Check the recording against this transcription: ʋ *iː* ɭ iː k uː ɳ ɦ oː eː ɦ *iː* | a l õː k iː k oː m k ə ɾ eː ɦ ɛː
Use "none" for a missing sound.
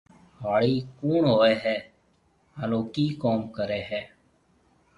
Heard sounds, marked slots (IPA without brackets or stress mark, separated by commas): aː, ɛː